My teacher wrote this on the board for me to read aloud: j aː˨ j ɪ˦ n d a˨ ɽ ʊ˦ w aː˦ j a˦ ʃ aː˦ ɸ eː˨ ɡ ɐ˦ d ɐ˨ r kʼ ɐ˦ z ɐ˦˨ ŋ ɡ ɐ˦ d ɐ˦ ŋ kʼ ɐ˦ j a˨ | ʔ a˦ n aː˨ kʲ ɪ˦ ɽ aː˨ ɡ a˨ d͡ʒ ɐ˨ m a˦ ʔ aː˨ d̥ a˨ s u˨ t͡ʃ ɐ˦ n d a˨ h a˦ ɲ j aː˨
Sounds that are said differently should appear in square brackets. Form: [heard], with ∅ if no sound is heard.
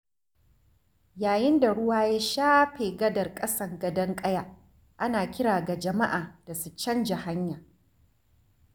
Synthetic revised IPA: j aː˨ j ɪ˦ n d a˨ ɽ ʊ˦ w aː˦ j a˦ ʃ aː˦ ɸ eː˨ ɡ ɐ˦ d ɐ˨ r kʼ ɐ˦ [s] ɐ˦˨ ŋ ɡ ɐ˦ d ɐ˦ ŋ kʼ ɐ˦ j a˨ | ʔ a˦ n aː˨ kʲ ɪ˦ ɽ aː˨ ɡ a˨ d͡ʒ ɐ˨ m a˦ ʔ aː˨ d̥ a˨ s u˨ t͡ʃ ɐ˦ n [d͡ʒ] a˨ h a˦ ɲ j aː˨

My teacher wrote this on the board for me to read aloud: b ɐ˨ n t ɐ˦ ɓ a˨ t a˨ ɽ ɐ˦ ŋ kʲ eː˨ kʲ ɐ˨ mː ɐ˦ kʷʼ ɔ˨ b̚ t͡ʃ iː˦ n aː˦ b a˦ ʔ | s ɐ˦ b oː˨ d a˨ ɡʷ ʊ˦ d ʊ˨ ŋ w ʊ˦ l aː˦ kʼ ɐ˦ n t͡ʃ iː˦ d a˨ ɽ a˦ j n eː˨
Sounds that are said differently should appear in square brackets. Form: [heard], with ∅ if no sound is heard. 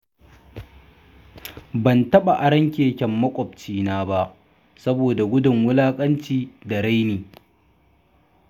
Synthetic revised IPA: b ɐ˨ n t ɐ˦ ɓ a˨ [ʔ] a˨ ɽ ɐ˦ ŋ kʲ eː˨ kʲ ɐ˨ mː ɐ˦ kʷʼ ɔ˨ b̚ t͡ʃ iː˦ n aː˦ b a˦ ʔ | s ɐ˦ b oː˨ d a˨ ɡʷ ʊ˦ d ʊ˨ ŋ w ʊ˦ l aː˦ kʼ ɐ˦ n t͡ʃ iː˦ d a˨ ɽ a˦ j n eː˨

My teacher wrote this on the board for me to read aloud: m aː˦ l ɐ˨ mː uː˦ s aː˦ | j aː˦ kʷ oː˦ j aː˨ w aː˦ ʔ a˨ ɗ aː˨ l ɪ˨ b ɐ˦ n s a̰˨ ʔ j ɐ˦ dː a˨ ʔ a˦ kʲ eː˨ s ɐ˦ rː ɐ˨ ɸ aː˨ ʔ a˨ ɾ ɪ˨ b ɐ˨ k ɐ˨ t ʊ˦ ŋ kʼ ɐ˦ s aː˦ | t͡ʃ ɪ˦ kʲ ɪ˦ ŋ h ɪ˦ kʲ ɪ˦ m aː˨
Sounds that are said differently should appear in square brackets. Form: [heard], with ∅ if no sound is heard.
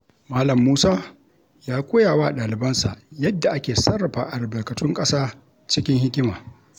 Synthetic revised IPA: m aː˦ l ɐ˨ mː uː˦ s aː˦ | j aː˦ kʷ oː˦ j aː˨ w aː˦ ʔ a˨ ɗ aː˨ l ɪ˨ b ɐ˦ n s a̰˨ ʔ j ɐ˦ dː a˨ ʔ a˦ kʲ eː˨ s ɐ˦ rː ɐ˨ ɸ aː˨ ʔ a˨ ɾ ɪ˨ b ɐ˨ k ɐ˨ t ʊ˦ ŋ kʼ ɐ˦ s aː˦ | t͡ʃ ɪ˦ kʲ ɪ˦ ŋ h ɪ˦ kʲ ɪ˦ m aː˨

